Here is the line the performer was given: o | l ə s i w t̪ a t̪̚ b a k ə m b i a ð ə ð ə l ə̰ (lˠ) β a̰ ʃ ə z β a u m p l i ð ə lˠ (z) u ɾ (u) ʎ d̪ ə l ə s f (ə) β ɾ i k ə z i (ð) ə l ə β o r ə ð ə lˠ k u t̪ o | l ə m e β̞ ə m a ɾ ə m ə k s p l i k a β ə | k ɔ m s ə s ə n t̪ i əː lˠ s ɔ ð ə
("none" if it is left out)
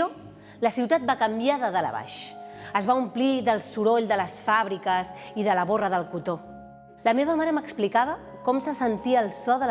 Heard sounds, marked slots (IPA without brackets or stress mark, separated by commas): none, s, o, a, ð